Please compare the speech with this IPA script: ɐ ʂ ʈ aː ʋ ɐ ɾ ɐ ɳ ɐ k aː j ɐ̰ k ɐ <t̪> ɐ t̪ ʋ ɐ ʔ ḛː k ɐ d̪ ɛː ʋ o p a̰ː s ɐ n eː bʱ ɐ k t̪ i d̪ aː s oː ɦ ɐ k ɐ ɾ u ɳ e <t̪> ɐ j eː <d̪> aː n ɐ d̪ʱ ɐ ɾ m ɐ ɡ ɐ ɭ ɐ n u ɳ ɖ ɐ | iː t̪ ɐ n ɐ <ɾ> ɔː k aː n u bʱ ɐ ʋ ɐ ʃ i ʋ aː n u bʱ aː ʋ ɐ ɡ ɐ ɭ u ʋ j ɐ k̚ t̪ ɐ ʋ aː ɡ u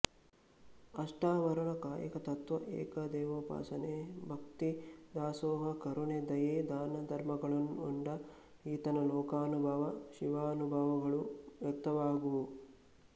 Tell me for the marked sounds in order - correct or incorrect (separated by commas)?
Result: correct, incorrect, correct, incorrect